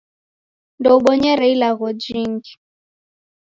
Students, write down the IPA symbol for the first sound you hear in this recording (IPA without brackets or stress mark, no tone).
n